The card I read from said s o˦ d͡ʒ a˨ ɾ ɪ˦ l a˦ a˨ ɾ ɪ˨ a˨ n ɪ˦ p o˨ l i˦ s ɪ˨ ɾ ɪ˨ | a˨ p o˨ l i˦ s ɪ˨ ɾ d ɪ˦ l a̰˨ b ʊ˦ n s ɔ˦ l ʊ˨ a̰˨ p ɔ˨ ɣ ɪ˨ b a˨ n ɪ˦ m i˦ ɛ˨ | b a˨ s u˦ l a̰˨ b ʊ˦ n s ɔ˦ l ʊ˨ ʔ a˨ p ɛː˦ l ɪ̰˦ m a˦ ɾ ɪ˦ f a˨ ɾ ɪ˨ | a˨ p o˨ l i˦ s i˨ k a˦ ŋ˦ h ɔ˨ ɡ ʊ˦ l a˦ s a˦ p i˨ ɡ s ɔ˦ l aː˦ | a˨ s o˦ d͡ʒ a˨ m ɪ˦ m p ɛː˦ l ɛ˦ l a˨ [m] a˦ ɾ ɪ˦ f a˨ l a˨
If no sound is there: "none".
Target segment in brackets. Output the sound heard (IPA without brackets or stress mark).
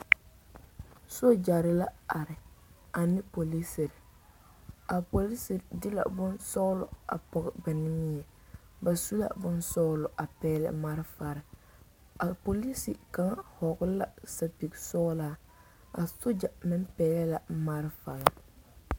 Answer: m